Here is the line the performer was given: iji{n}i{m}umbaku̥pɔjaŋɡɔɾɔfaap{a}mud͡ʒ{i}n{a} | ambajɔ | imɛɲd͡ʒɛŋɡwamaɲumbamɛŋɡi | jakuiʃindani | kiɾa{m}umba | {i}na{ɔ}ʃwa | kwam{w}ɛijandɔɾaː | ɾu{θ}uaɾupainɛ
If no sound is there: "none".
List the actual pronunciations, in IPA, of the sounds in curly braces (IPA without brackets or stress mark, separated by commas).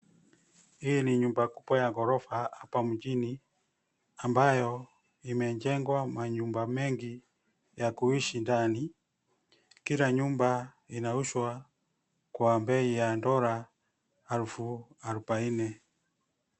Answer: n, ɲ, a, i, i, ɲ, i, u, b, f